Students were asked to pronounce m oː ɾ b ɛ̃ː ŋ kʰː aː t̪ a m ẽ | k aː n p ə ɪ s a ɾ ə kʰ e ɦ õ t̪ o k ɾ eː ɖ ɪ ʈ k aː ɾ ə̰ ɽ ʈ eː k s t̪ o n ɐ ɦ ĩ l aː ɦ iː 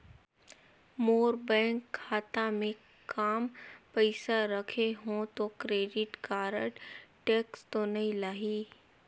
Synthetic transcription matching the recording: m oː ɾ b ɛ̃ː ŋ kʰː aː t̪ a m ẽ | k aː m p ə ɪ s a ɾ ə kʰ e ɦ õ t̪ o k ɾ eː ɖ ɪ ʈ k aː ɾ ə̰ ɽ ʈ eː k s t̪ o n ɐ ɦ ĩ l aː ɦ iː